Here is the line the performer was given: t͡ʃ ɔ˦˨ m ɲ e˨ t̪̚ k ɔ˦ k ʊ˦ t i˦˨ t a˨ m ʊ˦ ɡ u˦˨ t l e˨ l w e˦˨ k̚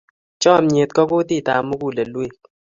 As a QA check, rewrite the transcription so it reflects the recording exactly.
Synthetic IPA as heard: t͡ʃ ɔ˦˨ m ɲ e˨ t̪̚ k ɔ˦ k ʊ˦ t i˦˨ t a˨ m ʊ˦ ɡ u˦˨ l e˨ l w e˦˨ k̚